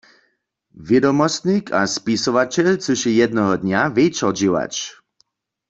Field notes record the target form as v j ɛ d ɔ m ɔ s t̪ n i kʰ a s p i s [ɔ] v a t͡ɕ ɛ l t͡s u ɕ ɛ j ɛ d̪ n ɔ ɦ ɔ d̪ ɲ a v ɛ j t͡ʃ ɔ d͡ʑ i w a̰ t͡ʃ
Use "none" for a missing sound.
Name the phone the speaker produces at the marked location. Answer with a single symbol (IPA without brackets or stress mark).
ɔ